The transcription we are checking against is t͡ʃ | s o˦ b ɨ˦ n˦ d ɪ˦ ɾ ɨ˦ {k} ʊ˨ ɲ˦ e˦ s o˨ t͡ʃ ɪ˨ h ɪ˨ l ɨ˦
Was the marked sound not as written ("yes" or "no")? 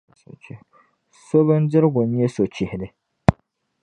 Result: yes